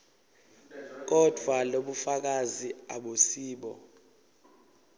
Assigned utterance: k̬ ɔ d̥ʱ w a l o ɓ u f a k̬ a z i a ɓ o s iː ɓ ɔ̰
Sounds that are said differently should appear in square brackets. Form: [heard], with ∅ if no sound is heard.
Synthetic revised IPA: k̬ ɔ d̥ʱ w a l o ɓ u f a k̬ a z i a ɓ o s iː ɓ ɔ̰